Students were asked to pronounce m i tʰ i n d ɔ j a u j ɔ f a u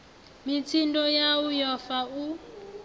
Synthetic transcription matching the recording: m i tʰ i n d ɔ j a u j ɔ f a u